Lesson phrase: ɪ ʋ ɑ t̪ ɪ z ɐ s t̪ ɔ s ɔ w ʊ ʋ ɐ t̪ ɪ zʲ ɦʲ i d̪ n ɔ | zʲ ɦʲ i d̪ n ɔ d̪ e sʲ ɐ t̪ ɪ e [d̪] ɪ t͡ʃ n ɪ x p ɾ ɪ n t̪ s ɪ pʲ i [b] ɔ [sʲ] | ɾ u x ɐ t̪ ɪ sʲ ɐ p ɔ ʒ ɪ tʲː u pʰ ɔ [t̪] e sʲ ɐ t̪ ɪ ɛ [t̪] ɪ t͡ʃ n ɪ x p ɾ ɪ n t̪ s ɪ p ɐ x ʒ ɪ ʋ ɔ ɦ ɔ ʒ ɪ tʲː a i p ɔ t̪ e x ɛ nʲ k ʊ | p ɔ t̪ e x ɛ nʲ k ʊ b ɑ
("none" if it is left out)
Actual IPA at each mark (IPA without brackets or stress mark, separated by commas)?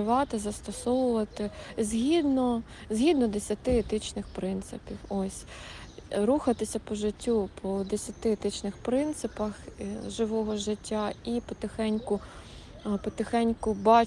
t̪, w, sʲ, d̪, t̪